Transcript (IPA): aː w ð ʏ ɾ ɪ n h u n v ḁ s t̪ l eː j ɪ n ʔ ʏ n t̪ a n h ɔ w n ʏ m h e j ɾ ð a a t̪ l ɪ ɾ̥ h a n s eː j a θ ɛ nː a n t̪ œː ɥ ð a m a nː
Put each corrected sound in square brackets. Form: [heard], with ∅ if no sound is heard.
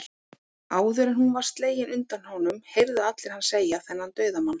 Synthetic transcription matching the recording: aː w ð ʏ ɾ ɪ n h u n v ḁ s t̪ l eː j ɪ n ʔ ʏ n t̪ a n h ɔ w n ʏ m h e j ɾ ð a a t̪ l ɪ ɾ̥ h a n s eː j a θ ɛ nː a n t̪ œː ɥ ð a m a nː